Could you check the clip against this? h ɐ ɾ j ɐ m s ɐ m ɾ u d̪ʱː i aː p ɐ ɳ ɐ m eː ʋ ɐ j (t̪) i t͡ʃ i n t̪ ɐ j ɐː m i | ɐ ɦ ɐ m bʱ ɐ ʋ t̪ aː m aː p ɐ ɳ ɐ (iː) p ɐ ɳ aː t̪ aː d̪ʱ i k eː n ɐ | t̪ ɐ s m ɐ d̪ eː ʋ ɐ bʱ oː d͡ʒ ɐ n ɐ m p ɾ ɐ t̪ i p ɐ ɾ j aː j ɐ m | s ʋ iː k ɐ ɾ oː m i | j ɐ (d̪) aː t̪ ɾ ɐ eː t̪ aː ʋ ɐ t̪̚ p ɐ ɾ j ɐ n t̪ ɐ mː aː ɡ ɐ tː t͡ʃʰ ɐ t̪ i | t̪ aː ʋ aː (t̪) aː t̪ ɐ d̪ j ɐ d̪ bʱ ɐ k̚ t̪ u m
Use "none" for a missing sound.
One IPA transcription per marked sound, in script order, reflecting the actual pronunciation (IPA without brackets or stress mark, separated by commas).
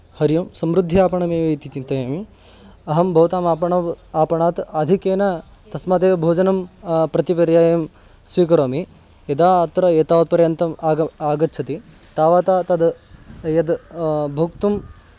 t̪, aː, d̪, t̪